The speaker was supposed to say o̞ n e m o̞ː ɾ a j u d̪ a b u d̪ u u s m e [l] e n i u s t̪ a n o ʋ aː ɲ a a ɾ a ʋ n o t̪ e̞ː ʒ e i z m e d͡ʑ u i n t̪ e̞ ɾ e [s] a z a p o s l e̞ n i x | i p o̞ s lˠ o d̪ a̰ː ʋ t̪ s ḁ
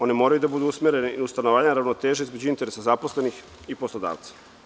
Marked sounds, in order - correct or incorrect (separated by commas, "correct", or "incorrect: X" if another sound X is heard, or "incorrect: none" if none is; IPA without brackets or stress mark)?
incorrect: ɾ, correct